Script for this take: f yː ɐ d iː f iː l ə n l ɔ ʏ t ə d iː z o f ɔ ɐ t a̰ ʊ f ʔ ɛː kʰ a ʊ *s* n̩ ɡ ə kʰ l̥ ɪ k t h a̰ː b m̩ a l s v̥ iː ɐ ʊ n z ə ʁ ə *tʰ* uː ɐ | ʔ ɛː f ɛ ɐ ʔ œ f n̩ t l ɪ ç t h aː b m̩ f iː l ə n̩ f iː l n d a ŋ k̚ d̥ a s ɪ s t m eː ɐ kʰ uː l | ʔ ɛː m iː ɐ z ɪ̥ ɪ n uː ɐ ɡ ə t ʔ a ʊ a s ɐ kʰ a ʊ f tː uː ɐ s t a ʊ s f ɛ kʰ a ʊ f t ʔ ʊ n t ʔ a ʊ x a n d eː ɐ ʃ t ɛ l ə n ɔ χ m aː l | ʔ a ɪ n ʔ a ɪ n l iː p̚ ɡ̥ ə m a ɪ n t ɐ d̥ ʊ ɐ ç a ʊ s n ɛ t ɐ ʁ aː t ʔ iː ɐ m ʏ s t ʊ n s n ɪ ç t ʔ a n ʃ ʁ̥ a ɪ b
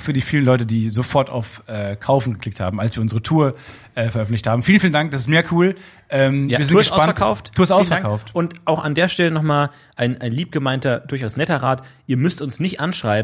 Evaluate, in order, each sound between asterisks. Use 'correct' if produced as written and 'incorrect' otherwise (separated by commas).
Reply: incorrect, correct